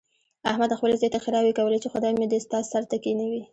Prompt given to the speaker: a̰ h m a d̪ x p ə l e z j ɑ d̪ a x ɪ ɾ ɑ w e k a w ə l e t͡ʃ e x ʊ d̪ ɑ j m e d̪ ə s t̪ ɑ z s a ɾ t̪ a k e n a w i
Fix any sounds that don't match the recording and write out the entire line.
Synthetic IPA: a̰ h m a d̪ x p ə l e z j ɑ t̪ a x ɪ ɾ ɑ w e k a w ə l e t͡ʃ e x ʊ d̪ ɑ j m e d̪ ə s t̪ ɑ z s a ɾ t̪ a k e n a w i